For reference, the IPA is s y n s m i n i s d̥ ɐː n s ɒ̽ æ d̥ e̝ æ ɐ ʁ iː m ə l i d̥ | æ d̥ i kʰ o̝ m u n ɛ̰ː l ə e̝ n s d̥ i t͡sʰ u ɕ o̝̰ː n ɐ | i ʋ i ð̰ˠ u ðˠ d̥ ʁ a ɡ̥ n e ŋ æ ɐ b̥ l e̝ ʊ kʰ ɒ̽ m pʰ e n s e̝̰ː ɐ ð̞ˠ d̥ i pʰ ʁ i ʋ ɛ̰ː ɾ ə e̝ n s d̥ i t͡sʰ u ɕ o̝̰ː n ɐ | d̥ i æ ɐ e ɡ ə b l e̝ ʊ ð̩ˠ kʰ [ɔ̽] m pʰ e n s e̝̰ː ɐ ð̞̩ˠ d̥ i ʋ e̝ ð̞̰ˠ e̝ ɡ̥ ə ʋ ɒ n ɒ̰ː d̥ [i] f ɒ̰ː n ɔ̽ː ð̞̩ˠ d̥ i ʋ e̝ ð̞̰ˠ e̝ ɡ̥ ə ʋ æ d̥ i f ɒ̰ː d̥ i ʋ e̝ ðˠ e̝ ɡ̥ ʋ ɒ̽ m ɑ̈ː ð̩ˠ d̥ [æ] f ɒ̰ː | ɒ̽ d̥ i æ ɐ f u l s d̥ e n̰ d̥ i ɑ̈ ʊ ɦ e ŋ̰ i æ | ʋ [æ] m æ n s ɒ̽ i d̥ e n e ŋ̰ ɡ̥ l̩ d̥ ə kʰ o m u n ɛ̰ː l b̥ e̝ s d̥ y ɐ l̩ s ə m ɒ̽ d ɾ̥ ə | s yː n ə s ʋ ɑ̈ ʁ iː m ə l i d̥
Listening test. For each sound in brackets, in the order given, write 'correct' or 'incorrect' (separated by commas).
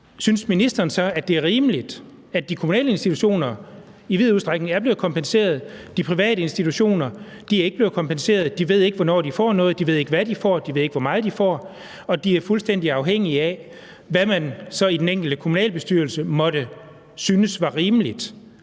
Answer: incorrect, correct, incorrect, correct